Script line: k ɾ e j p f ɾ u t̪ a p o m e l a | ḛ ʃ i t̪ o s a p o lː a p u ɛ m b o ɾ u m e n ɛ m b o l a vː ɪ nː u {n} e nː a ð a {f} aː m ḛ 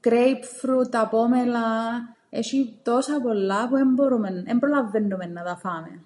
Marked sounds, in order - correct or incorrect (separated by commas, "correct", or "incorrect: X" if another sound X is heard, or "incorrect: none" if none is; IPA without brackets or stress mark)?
incorrect: m, correct